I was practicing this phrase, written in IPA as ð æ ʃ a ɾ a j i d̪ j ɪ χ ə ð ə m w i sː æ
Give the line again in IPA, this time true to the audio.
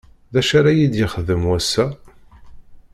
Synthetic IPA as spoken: ð æ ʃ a ɾ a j i d̪ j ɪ χ ə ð ə m w æ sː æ